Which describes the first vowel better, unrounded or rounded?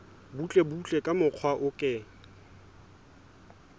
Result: rounded